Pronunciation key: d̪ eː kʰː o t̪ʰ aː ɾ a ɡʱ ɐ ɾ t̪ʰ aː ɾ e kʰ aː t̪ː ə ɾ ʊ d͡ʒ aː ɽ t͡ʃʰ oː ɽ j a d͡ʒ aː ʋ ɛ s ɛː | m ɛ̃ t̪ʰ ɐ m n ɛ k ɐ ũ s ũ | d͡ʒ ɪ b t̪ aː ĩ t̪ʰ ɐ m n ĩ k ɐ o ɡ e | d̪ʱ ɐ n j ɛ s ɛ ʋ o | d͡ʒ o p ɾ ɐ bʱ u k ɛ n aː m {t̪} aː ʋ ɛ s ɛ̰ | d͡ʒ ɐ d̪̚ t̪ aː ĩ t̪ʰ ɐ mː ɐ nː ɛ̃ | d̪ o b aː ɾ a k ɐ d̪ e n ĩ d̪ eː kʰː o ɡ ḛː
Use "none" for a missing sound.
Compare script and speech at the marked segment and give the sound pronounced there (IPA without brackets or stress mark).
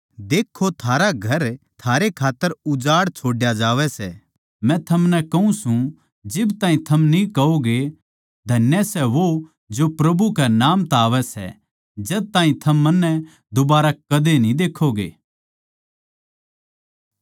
t̪